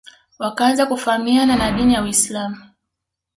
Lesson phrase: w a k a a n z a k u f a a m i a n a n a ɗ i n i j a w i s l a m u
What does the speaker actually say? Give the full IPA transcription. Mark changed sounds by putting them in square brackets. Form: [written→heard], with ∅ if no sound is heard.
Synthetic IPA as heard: w a k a a n z a k u f a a m i a n a n a ɗ i n i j a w i s l a m u